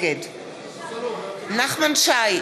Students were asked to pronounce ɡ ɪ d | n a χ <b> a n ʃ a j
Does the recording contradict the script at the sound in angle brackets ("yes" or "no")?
yes